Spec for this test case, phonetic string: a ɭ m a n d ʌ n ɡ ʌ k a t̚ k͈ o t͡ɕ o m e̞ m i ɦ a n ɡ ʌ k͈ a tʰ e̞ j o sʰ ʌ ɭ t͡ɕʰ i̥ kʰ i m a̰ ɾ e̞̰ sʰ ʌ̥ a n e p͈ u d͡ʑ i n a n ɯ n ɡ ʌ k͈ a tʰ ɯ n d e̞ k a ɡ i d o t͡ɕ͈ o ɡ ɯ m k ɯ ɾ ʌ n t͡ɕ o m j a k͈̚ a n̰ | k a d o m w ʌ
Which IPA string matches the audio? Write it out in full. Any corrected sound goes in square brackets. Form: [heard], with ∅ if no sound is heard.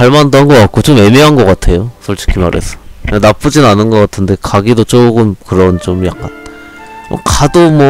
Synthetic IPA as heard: a ɭ m a n d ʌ n ɡ ʌ k a t̚ k͈ o t͡ɕ o m e̞ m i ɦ a n ɡ ʌ k͈ a tʰ e̞ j o sʰ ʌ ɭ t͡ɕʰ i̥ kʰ i m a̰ ɾ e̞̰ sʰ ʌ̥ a n [a] p͈ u d͡ʑ i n a n ɯ n ɡ ʌ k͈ a tʰ ɯ n d e̞ k a ɡ i d o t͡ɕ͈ o ɡ ɯ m k ɯ ɾ ʌ n t͡ɕ o m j a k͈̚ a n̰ | k a d o m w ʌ